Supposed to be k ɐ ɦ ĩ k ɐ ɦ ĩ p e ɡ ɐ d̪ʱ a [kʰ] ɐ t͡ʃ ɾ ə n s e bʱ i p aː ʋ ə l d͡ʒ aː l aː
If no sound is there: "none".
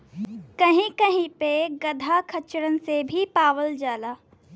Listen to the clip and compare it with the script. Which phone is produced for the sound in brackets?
kʰ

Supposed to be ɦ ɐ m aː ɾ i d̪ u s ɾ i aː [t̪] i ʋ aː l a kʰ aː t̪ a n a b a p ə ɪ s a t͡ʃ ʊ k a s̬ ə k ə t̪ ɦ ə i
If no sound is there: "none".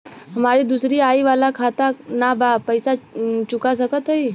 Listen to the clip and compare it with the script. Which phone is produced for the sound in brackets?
none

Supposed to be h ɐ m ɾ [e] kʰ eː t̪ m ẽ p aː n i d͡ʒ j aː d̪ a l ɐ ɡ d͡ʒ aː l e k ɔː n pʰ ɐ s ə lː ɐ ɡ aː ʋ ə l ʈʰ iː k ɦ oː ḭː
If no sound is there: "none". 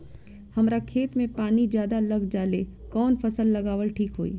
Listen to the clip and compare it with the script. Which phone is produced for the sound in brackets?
a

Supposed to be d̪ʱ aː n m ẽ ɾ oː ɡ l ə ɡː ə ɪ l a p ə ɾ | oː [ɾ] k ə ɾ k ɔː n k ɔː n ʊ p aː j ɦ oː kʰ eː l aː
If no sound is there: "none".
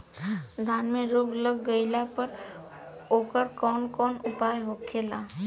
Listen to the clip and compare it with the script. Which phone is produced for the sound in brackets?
none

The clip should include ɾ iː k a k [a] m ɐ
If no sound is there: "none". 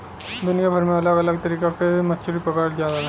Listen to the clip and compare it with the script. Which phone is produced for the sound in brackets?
e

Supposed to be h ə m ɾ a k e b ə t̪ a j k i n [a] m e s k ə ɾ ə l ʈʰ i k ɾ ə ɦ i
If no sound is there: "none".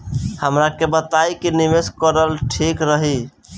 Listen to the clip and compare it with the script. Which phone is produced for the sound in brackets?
i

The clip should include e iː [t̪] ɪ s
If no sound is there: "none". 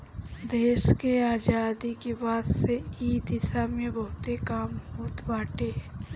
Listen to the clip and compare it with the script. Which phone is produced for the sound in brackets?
d̪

